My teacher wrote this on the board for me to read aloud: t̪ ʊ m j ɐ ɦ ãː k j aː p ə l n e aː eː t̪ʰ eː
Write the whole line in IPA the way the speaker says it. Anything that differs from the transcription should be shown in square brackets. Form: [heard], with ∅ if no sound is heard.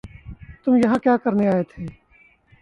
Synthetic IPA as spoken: t̪ ʊ m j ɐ ɦ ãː k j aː [k] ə [ɾ] n e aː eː t̪ʰ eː